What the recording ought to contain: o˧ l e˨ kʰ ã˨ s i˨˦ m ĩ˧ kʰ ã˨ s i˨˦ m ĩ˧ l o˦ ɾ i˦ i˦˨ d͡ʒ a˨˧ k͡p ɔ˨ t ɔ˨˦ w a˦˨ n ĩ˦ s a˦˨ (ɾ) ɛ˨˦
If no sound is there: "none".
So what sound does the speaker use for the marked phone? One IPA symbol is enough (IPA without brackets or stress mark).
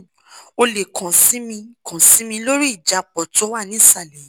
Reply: l